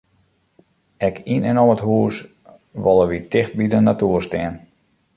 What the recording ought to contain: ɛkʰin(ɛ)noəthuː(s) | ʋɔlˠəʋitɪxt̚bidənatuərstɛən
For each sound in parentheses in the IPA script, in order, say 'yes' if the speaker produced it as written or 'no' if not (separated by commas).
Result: yes, yes